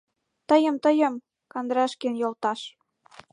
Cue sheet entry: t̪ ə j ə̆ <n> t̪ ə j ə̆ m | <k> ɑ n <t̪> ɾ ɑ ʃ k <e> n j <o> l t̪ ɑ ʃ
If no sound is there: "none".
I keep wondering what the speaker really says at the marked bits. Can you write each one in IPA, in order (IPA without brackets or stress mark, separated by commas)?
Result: m, k, d̪, e, o